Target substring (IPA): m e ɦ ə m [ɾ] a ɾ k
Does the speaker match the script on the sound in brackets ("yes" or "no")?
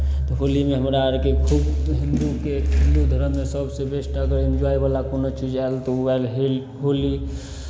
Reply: yes